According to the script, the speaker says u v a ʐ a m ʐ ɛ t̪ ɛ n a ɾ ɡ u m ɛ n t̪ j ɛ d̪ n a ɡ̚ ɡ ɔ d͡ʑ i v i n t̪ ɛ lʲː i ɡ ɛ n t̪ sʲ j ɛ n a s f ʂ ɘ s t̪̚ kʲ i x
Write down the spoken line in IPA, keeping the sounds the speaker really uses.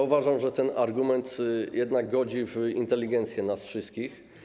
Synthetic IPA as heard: u v a ʐ a m ʐ ɛ t̪ ɛ n a ɾ ɡ u m ɛ n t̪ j ɛ d̪ n a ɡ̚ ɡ ɔ d͡ʑ i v i n t̪ ɛ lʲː i ɡ ɛ n t̪ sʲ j ɛ n a s f ʂ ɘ s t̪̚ kʲ i x